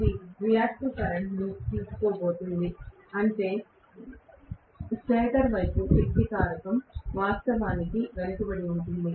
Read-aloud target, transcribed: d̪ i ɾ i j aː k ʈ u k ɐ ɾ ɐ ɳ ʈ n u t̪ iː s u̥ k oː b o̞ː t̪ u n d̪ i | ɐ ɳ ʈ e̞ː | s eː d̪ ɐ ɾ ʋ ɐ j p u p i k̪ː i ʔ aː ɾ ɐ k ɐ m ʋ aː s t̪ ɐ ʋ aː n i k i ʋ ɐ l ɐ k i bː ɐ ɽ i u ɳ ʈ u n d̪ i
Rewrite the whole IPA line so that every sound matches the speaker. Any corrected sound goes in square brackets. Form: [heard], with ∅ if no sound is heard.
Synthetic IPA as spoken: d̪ i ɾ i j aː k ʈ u k ɐ ɾ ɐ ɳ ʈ n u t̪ iː s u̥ k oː b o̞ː t̪ u n d̪ i | ɐ ɳ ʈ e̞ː | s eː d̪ ɐ ɾ ʋ ɐ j p u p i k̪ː i [k] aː ɾ ɐ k ɐ m ʋ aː s t̪ ɐ ʋ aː n i k i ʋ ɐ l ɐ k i [b] ɐ ɽ i u ɳ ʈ u n d̪ i

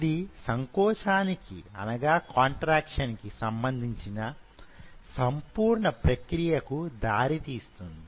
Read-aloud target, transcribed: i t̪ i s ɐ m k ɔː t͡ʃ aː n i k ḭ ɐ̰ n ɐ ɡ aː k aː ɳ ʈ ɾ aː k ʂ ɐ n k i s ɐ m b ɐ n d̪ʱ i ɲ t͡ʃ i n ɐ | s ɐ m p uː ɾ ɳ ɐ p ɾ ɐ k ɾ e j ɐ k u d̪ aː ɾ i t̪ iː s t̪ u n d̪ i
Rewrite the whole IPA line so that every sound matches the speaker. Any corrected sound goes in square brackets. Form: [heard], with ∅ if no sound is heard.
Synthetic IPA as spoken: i [d̪] i s ɐ [ŋ] k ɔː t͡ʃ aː n i k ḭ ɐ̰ n ɐ ɡ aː k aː ɳ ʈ ɾ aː k ʂ ɐ n k i s ɐ m b ɐ n d̪ʱ i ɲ t͡ʃ i n ɐ | s ɐ m p uː ɾ ɳ ɐ p ɾ ɐ k ɾ [i] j ɐ k u d̪ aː ɾ i t̪ iː s t̪ u n d̪ i

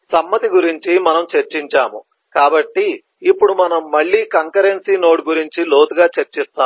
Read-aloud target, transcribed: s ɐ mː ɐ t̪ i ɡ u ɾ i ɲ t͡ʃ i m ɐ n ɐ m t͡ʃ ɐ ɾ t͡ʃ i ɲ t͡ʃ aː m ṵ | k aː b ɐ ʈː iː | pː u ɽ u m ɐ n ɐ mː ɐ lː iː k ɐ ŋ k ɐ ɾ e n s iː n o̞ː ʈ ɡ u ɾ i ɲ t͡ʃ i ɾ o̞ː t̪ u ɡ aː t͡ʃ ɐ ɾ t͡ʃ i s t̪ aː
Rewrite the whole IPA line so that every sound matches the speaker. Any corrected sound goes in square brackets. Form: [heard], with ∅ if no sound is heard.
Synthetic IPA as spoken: s ɐ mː ɐ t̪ i ɡ u ɾ i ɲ t͡ʃ i m ɐ n ɐ m t͡ʃ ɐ ɾ t͡ʃ i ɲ t͡ʃ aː m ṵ | k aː b ɐ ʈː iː | pː u ɽ u m ɐ n ɐ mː ɐ [ɭː] iː k ɐ ŋ k ɐ ɾ e n s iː n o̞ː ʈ ɡ u ɾ i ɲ t͡ʃ i [l] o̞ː t̪ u ɡ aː t͡ʃ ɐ ɾ t͡ʃ i s t̪ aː

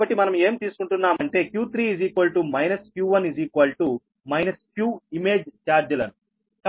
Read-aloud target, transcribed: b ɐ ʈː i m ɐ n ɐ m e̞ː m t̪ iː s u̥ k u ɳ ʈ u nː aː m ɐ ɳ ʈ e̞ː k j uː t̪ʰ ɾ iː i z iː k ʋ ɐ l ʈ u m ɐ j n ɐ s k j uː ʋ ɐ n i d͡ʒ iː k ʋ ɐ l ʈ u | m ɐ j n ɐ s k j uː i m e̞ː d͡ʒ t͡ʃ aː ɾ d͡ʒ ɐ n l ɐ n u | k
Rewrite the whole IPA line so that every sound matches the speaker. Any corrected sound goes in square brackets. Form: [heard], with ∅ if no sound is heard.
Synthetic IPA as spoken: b ɐ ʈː i m ɐ n ɐ m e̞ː m t̪ iː s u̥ k u ɳ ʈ u nː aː m ɐ ɳ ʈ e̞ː k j uː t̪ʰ ɾ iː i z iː k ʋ ɐ l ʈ u m ɐ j n ɐ s k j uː ʋ ɐ n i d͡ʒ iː k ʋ ɐ l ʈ u | m ɐ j n ɐ s k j uː i m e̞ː d͡ʒ t͡ʃ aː ɾ d͡ʒ ɐ [∅] l ɐ n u | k

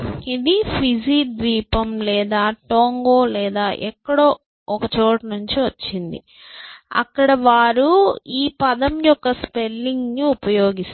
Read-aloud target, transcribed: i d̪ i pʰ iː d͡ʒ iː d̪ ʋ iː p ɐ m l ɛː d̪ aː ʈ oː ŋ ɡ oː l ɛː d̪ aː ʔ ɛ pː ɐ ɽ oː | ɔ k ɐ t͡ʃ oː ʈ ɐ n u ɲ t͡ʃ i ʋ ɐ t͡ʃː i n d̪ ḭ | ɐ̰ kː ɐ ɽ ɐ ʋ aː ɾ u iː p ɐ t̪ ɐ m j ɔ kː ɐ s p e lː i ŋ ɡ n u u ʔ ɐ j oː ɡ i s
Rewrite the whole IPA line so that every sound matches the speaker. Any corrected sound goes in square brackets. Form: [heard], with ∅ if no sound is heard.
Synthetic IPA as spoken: i d̪ i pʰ [i] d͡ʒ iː d̪ ʋ iː p ɐ m l ɛː d̪ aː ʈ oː ŋ ɡ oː l ɛː d̪ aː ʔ ɛ [kː] ɐ ɽ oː | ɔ k ɐ t͡ʃ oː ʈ ɐ n u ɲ t͡ʃ i ʋ ɐ t͡ʃː i n d̪ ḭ | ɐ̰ kː ɐ ɽ ɐ ʋ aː ɾ u iː p ɐ [d̪] ɐ m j ɔ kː ɐ s p e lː i ŋ ɡ n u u [p] ɐ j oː ɡ i s

